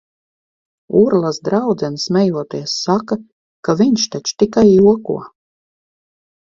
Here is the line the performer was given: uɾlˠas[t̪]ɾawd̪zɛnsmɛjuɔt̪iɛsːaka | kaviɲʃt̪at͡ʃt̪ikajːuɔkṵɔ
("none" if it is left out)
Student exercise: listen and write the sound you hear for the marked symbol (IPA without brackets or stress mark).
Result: d̪